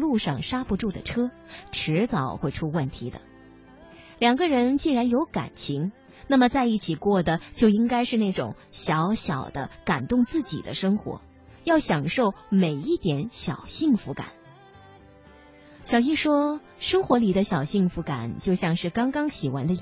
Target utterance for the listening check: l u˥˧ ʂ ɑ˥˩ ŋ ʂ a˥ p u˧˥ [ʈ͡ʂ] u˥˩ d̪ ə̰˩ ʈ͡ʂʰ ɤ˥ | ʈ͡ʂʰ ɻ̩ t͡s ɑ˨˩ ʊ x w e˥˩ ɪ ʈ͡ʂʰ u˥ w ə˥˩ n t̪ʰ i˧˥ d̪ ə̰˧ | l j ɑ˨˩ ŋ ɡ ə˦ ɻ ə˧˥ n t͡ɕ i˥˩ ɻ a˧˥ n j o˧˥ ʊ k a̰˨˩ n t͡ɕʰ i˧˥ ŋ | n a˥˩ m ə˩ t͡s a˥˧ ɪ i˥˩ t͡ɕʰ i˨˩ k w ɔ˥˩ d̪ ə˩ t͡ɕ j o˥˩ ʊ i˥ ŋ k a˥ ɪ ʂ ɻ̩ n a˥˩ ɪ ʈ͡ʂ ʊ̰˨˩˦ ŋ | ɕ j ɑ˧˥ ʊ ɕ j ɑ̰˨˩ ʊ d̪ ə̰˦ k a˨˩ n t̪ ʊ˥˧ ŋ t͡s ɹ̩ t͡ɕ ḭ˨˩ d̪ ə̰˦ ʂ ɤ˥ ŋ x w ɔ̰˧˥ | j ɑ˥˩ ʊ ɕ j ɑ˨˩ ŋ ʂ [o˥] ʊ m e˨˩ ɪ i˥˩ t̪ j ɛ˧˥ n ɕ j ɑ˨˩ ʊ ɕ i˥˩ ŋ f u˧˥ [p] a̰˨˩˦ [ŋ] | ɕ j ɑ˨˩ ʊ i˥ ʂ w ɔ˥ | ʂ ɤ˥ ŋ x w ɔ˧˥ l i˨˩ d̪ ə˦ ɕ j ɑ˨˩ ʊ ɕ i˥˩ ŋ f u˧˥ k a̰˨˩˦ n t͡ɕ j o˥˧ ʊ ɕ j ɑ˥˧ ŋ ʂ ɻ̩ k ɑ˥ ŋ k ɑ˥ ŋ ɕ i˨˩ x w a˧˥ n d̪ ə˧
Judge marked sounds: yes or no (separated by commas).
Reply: yes, no, no, no